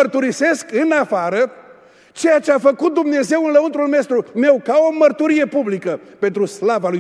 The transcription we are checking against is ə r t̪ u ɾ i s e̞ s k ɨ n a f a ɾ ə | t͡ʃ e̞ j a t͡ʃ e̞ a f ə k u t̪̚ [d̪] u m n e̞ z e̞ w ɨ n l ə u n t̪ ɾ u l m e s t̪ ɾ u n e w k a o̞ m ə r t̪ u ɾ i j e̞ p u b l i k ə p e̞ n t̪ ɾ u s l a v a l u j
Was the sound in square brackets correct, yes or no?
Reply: yes